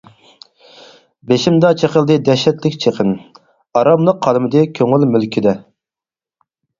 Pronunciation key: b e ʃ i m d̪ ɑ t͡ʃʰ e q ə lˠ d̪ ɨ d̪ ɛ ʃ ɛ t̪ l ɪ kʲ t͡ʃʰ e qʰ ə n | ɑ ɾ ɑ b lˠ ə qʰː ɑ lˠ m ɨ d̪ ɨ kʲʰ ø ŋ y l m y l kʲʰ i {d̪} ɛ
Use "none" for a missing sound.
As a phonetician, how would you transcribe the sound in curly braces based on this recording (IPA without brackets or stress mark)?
d̪